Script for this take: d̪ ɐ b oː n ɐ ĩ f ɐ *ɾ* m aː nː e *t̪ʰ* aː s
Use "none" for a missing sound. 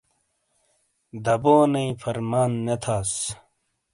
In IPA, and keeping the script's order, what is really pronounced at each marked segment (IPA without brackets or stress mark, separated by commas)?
ɾ, t̪ʰ